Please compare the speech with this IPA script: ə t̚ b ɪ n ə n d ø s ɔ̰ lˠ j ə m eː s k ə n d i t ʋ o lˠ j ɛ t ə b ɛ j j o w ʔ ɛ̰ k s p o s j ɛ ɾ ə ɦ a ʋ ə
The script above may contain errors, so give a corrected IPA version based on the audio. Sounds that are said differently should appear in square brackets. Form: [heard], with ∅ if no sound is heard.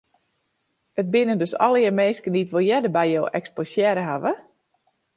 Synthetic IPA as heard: ə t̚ b ɪ n ə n d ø s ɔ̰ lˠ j ə m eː s k ə n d i t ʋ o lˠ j ɛ [d] ə b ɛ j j o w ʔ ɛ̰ k s p o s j ɛ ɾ ə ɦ a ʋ ə

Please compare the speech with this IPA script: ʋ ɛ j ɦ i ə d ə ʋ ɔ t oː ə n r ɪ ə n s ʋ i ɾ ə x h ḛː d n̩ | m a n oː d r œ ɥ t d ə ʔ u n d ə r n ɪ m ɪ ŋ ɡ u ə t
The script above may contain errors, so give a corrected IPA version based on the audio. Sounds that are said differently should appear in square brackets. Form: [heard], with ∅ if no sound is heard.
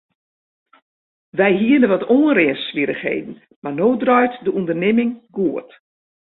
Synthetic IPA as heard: ʋ ɛ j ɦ i ə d ə ʋ ɔ t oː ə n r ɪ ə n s ʋ i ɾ ə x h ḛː d n̩ | m a n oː d r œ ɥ t d ə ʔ u n d ə r n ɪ m ɪ ŋ ɡ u ə t

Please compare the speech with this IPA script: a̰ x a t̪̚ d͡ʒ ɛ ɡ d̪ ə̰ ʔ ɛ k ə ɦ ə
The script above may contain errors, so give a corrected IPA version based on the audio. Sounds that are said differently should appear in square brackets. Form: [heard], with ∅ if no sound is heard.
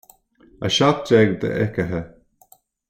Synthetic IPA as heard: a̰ [ʃ] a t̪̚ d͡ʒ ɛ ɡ d̪ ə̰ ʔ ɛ k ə ɦ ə

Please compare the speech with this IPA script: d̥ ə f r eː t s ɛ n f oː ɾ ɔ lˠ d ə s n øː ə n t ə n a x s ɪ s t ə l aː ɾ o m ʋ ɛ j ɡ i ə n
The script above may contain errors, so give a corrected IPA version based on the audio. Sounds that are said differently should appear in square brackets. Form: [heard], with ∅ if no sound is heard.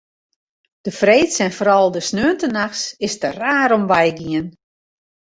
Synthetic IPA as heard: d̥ ə f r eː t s ɛ n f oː ɾ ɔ lˠ d ə s n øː ə n t ə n a x s ɪ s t ə [r] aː ɾ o m ʋ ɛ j ɡ i ə n

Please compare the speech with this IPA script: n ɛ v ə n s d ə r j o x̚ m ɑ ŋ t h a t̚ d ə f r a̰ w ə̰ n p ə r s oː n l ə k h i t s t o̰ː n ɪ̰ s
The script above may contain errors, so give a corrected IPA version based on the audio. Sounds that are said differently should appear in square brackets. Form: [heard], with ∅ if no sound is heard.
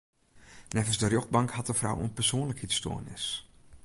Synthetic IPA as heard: n ɛ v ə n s d ə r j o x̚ [b] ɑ ŋ [k] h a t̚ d ə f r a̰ w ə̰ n p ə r s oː n l ə k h i t s t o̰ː n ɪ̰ s

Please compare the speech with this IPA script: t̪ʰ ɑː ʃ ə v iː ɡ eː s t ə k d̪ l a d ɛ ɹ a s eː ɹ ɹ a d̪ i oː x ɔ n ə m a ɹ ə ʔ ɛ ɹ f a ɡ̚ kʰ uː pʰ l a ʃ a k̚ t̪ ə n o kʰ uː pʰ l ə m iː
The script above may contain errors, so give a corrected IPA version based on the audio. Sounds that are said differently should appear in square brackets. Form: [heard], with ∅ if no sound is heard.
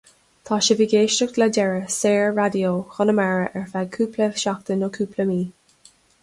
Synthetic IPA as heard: t̪ʰ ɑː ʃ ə v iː ɡ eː [ʃ] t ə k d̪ l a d ɛ ɹ [ə] s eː ɹ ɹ a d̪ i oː x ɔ n ə m a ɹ ə ʔ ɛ ɹ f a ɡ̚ kʰ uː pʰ l [ə] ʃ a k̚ t̪ ə n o kʰ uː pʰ l ə m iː

